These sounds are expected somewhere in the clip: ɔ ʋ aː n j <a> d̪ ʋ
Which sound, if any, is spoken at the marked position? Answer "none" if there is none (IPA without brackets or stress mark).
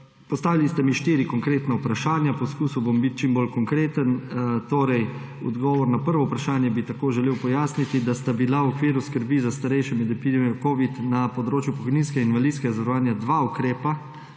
a